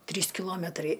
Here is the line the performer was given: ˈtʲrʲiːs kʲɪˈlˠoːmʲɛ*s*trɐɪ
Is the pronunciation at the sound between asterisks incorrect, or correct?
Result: incorrect